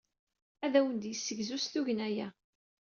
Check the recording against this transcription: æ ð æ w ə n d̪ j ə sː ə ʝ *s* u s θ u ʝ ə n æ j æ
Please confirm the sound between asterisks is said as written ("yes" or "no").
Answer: no